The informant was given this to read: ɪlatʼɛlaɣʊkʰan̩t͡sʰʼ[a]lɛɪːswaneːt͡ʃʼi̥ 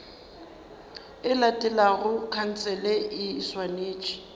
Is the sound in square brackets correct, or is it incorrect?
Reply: incorrect